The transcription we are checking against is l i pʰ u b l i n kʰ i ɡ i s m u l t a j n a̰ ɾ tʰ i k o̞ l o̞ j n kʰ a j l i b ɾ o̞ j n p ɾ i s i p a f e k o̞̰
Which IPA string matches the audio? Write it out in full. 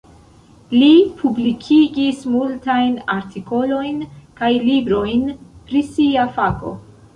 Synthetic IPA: l i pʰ u b l i kʰ i ɡ i s m u l t a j n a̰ ɾ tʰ i k o̞ l o̞ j n k a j l i b ɾ o̞ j n p ɾ i s i a f a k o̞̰